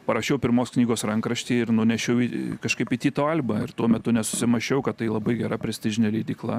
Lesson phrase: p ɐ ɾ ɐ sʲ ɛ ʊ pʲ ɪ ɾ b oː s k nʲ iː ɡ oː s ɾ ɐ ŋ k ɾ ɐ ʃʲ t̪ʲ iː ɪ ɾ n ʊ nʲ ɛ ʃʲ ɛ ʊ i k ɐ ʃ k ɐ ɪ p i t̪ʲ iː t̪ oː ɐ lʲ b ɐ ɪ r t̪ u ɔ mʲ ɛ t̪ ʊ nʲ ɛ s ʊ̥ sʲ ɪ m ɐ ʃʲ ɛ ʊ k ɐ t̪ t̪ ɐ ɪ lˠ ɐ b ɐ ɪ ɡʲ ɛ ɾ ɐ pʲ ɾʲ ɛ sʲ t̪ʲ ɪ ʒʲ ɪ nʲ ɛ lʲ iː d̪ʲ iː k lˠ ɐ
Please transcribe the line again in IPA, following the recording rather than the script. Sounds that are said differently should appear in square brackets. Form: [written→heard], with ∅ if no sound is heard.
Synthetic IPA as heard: p ɐ ɾ ɐ [sʲ→ʃʲ] ɛ ʊ pʲ ɪ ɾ [b→m] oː s k nʲ iː ɡ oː s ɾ ɐ ŋ k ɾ ɐ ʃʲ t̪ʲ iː ɪ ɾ n ʊ nʲ ɛ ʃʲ ɛ ʊ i k ɐ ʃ k ɐ ɪ p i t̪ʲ iː t̪ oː ɐ lʲ b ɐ ɪ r t̪ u ɔ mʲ ɛ t̪ ʊ nʲ ɛ s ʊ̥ sʲ ɪ m ɐ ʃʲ ɛ ʊ k ɐ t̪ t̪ ɐ ɪ lˠ ɐ b ɐ ɪ ɡʲ ɛ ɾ ɐ pʲ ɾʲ ɛ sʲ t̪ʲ ɪ ʒʲ ɪ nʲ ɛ lʲ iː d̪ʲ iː k lˠ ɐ